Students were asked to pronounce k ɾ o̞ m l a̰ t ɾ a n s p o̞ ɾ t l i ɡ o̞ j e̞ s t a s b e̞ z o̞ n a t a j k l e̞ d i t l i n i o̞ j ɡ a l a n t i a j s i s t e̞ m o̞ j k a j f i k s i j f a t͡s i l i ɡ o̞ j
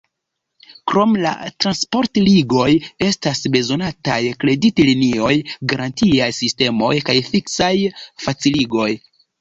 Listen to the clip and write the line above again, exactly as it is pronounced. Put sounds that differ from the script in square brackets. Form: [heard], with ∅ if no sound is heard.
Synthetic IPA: k ɾ o̞ m l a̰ t ɾ a n s p o̞ ɾ t l i ɡ o̞ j e̞ s t a s b e̞ z o̞ n a t a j k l e̞ d i t l i n i o̞ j ɡ a [ɾ] a n t i a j s i s t e̞ m o̞ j k a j f i k s [a] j f a t͡s i l i ɡ o̞ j